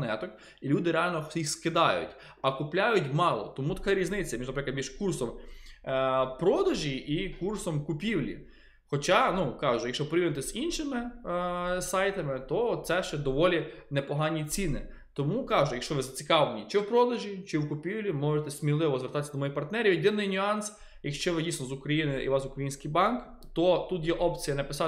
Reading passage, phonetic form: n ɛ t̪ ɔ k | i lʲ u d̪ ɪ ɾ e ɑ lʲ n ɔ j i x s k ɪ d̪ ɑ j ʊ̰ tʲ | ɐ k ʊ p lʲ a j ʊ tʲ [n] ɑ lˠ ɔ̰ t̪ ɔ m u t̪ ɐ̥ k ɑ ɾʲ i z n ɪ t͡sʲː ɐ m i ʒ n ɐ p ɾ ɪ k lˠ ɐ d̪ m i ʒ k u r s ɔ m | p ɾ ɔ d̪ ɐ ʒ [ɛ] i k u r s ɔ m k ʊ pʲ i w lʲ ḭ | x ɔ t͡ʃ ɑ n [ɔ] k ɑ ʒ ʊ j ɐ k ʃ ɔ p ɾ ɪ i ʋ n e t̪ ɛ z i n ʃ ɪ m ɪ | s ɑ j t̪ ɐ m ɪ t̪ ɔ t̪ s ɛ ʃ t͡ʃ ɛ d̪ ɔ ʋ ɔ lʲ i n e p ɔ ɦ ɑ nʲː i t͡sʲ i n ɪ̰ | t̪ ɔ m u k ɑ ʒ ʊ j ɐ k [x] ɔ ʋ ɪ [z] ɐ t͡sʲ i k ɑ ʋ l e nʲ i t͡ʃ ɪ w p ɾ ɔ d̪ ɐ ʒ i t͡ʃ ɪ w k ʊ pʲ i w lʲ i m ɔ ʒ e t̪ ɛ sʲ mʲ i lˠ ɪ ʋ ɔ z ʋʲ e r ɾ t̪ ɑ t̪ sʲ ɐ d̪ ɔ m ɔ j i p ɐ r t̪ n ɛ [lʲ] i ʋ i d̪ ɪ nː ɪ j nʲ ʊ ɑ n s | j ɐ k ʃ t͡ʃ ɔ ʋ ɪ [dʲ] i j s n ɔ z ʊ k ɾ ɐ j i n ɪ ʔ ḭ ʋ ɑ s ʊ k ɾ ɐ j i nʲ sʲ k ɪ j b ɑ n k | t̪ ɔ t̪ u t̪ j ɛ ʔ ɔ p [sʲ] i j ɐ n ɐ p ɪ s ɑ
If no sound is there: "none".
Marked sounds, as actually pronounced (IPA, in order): m, i, u, ʃ, z, ɾʲ, dʲ, t͡sʲ

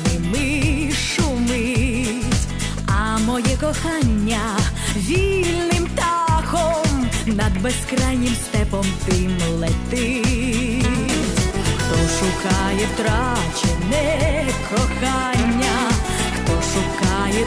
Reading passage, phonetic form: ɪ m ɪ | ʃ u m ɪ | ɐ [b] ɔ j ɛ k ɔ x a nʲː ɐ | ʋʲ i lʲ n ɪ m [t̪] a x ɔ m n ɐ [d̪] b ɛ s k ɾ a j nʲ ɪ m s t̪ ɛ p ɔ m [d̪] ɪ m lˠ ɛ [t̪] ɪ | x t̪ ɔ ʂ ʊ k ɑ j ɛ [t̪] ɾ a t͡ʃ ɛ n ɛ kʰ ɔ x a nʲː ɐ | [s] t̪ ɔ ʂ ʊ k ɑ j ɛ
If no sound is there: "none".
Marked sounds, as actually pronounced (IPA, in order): m, t̪, d̪, t̪, t̪, t̪, x

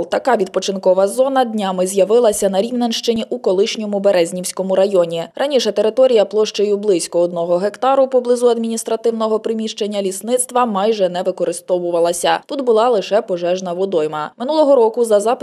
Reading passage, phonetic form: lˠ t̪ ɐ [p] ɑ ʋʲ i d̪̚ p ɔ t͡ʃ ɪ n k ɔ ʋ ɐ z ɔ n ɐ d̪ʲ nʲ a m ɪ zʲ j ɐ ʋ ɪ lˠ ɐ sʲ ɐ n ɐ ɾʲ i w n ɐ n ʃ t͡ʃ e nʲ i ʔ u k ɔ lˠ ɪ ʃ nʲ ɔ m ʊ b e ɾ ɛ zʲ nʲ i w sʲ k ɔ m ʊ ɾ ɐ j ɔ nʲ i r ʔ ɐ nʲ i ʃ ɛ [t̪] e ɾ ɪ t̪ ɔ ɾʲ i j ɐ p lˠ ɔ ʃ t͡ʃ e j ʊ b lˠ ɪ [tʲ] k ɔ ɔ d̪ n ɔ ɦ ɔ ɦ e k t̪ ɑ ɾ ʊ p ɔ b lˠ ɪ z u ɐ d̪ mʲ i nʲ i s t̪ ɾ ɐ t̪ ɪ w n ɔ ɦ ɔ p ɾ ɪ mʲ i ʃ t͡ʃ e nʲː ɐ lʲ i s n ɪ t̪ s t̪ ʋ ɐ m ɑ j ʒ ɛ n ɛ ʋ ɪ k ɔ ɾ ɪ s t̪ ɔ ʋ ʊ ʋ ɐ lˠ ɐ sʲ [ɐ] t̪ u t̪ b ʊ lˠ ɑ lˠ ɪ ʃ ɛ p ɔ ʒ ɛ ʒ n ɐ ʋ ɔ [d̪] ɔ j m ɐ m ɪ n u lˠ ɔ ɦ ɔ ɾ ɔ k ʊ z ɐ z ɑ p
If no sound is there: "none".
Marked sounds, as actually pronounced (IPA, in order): k, t̪, sʲ, ɐ, d̪

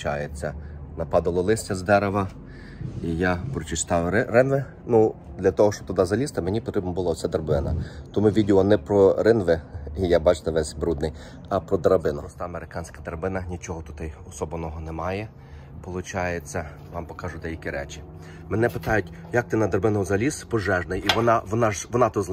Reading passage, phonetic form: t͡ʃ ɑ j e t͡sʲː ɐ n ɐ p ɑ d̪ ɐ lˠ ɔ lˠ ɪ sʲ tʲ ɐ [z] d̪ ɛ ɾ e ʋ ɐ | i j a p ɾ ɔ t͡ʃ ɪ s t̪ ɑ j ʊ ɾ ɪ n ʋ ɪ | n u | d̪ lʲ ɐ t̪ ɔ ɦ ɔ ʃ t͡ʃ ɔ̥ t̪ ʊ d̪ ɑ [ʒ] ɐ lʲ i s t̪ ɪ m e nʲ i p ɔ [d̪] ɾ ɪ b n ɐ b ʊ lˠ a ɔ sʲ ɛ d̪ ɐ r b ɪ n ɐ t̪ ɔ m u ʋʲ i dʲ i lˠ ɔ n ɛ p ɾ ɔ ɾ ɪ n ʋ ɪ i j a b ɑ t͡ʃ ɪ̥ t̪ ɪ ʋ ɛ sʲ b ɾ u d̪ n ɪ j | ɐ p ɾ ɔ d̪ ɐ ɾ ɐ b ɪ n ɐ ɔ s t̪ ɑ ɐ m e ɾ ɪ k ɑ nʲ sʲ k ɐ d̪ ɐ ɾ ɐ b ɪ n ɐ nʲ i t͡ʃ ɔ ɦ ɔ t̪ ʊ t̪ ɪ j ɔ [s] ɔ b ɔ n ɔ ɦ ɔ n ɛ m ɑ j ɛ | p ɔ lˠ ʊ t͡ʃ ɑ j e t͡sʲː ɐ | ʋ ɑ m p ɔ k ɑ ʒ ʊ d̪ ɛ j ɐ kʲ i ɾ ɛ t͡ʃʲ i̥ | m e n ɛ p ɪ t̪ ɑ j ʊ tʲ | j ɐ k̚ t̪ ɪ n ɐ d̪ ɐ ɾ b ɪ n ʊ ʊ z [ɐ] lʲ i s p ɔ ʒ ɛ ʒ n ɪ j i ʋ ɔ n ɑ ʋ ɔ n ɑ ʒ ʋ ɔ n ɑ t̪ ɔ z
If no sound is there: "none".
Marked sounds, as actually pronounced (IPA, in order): z, z, t̪, s, ɐ

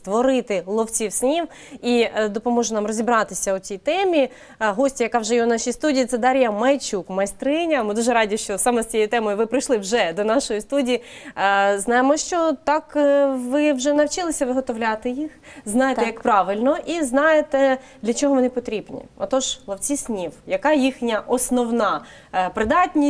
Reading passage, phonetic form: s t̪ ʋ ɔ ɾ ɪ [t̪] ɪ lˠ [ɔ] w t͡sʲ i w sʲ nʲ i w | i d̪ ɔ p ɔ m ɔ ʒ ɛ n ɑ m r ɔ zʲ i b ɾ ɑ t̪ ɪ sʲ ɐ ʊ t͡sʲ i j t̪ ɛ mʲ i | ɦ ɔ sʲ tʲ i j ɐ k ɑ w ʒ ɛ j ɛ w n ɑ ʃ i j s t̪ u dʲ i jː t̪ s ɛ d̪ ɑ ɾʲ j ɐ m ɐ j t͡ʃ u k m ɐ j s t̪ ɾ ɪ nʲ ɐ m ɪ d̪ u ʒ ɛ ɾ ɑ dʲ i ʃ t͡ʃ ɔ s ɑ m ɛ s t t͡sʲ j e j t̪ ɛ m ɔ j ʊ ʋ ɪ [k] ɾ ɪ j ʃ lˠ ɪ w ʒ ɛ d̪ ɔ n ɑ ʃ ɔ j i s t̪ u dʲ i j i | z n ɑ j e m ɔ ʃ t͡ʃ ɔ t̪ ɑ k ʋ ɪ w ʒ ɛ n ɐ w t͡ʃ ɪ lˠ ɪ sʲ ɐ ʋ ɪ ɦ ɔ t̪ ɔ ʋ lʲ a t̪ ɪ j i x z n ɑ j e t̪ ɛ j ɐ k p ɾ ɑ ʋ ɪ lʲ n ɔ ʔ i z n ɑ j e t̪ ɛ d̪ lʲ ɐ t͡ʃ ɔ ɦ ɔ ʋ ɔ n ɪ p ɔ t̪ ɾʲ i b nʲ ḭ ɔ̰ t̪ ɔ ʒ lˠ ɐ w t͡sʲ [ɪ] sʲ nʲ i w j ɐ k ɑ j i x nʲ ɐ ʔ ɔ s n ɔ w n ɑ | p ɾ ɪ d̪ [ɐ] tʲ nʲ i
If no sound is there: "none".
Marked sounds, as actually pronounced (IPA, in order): t̪, ɔ, p, i, ɑ

